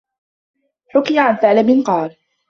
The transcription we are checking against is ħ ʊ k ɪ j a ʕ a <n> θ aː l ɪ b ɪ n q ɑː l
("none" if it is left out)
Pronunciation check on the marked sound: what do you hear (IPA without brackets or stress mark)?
n